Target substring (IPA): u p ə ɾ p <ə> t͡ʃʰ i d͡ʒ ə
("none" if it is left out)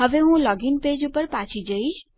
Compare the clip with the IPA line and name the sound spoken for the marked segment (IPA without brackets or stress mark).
a